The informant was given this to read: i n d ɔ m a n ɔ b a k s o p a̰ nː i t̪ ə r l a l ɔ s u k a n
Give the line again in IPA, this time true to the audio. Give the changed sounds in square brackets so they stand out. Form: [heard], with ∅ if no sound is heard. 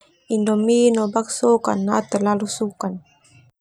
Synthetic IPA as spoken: i n d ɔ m [i] n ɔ b a k s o [k] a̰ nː [a] t̪ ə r l a l [u] s u k a n